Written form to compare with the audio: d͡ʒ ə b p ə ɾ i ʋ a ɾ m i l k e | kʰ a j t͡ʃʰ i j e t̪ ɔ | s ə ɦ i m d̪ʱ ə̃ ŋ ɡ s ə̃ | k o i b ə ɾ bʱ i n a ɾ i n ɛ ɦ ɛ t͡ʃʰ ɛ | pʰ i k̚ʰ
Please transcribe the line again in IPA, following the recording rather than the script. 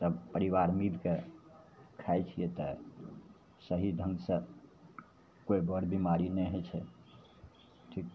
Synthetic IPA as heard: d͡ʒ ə b p ə ɾ i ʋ a ɾ m i l k e | kʰ a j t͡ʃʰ i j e t̪ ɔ | s ə ɦ i d̪ʱ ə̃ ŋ ɡ s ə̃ | k o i b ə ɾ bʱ i m a ɾ i n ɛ ɦ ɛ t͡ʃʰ ɛ | ʈʰ i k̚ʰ